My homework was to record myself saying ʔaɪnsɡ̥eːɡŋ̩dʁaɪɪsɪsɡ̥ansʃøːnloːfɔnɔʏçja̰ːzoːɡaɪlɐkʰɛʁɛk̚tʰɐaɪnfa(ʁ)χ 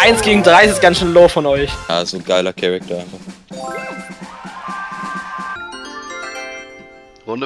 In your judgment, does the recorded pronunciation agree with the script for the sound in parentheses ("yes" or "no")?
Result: no